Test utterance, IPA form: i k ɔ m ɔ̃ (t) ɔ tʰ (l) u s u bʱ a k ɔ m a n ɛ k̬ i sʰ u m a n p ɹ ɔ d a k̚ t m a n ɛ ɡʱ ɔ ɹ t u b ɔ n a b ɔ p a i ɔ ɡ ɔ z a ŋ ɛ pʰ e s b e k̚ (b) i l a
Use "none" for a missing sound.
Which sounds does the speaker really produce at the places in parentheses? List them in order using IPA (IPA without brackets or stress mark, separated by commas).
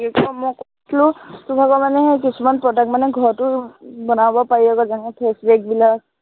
k, l, b